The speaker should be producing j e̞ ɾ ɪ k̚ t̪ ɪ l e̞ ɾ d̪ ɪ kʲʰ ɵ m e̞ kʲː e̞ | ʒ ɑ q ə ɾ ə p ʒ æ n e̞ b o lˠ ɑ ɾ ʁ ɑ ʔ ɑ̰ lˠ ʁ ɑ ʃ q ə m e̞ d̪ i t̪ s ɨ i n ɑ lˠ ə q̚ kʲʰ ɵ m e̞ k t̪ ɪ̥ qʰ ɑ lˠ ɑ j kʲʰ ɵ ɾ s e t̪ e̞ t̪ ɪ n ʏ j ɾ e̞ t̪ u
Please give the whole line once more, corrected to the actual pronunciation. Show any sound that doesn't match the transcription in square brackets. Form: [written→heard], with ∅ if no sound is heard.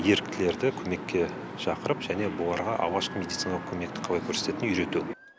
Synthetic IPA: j e̞ ɾ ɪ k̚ t̪ ɪ l e̞ ɾ d̪ ɪ kʲʰ ɵ m e̞ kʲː e̞ | [ʒ→ʃ] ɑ q ə ɾ ə p ʒ æ n e̞ b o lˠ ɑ ɾ ʁ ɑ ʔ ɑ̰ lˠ ʁ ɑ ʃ q ə m e̞ d̪ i t̪ s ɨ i n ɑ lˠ ə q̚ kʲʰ ɵ m e̞ k t̪ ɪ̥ qʰ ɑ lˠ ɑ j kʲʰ ɵ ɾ s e t̪ e̞ t̪ ɪ n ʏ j ɾ e̞ t̪ u